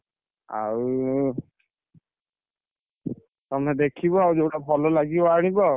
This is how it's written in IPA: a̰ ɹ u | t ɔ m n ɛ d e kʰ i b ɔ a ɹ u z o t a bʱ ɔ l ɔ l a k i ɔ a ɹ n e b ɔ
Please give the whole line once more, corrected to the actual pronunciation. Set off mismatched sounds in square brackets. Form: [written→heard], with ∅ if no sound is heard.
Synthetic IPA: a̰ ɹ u | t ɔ m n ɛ d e kʰ i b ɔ a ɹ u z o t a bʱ ɔ l ɔ l a [k→ɡ] i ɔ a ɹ n [e→i] b ɔ